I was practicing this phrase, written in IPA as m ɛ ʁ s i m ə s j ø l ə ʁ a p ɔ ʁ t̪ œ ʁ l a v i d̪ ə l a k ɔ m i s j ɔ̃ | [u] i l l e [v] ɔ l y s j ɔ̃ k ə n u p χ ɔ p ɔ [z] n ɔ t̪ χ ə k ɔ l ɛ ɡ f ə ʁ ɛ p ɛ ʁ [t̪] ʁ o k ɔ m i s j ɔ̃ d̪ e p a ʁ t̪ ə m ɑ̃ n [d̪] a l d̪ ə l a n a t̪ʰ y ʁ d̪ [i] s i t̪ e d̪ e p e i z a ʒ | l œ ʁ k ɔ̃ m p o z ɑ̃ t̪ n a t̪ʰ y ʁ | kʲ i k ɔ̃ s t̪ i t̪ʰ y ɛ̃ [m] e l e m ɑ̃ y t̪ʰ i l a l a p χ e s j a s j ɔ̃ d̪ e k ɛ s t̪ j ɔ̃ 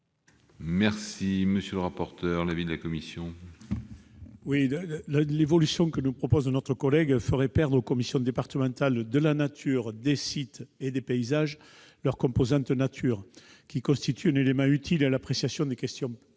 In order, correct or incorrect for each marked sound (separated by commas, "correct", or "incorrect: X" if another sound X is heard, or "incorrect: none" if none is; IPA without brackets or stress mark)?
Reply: incorrect: w, correct, correct, incorrect: d̪, incorrect: t̪, incorrect: e, incorrect: n